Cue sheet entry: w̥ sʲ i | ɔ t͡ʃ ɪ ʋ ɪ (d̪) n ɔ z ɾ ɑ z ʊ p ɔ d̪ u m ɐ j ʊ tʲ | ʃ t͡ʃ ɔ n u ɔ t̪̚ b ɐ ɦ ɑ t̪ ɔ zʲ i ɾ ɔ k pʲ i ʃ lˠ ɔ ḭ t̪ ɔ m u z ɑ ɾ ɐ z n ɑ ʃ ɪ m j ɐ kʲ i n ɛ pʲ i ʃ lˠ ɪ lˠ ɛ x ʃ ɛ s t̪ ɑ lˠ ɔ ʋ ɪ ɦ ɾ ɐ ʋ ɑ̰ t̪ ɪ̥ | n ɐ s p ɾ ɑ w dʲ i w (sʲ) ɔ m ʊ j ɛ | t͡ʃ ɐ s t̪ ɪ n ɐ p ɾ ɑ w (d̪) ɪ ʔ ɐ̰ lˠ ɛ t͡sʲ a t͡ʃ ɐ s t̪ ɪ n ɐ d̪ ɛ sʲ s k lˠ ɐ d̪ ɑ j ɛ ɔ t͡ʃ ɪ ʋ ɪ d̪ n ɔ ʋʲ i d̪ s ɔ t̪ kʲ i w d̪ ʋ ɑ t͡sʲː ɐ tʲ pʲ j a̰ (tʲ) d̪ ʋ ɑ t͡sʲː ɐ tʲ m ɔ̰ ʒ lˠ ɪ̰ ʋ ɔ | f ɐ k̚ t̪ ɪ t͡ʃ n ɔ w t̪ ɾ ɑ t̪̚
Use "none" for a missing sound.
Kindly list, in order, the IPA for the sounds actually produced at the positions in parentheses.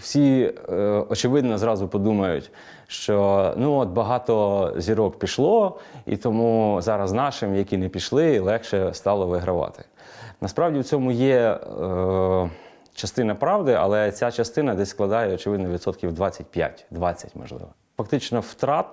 d̪, t͡sʲ, d̪, tʲ

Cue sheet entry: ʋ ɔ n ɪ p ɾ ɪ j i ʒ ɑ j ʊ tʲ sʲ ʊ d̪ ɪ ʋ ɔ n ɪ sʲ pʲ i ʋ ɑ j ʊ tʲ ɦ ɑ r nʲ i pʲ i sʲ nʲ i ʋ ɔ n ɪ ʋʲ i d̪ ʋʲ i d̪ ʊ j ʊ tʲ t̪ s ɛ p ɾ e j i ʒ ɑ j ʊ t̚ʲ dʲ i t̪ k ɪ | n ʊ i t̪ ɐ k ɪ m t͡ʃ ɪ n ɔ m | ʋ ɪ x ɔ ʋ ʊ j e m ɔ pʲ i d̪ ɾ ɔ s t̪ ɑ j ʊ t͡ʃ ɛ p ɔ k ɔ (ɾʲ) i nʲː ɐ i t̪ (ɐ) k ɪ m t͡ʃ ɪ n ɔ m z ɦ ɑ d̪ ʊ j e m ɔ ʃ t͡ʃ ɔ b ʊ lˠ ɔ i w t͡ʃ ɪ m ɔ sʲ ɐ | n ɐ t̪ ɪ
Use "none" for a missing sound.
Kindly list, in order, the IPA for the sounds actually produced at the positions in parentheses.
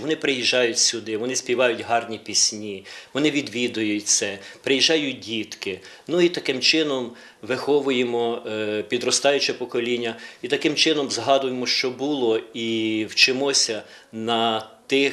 lʲ, ɐ

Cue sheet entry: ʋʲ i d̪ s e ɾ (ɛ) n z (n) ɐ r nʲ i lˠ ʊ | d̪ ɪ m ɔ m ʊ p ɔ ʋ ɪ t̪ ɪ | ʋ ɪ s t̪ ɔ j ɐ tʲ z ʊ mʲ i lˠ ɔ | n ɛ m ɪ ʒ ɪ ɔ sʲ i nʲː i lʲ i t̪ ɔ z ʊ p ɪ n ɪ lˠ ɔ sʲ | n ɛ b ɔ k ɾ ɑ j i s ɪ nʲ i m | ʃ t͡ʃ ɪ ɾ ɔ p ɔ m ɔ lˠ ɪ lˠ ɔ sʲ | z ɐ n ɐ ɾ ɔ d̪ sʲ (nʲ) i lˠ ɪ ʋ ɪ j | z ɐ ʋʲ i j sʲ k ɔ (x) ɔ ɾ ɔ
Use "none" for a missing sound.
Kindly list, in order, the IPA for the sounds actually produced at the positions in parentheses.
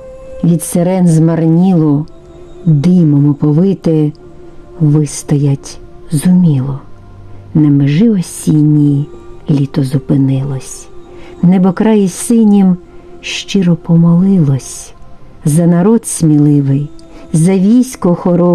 ɛ, m, mʲ, x

